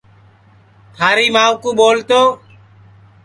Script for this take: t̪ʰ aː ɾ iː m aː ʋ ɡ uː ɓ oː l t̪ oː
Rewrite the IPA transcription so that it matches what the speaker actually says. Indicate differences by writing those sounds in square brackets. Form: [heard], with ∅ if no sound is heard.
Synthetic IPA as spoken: t̪ʰ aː ɾ iː m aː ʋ [k] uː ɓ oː l t̪ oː